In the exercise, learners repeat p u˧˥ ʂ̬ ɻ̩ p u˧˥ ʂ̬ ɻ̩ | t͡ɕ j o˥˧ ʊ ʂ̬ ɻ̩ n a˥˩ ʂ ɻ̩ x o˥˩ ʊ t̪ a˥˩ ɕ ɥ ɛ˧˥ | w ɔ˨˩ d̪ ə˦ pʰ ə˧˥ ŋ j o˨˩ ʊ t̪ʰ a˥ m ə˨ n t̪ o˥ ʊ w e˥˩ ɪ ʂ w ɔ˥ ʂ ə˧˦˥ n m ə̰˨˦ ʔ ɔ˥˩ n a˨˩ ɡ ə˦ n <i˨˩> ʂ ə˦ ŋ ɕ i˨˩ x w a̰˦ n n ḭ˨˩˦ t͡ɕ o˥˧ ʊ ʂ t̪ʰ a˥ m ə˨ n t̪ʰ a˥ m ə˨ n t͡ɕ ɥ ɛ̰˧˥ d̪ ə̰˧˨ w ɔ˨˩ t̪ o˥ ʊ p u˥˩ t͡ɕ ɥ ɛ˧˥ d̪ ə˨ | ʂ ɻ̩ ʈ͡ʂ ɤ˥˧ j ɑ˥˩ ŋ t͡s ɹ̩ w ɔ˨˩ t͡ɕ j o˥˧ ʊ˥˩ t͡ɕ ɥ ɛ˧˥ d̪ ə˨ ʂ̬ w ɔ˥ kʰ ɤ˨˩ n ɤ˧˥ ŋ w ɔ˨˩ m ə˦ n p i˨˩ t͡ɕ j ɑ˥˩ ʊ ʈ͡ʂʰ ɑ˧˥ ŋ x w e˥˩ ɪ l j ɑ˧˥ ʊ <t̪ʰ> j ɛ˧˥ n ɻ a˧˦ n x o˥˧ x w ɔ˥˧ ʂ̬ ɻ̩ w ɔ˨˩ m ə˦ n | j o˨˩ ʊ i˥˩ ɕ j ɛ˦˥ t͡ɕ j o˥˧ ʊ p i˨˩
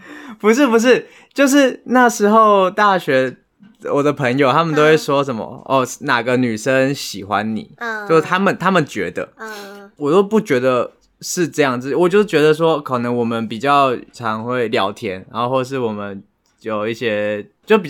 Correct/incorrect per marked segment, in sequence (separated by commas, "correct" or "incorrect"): incorrect, correct